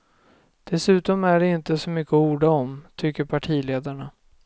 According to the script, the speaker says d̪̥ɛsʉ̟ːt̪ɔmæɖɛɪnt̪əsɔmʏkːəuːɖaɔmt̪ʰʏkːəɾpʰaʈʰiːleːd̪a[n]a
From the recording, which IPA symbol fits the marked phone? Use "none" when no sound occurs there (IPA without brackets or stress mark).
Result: ɳ